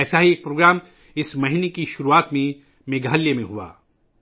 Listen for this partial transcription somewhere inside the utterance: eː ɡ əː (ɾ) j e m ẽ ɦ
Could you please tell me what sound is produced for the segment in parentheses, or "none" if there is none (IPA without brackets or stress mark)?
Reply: l